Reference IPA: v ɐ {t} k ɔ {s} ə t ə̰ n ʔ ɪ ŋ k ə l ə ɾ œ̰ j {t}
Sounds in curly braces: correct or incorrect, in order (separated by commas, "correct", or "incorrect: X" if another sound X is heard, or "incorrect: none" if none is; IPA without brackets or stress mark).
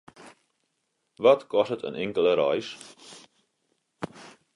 correct, correct, incorrect: s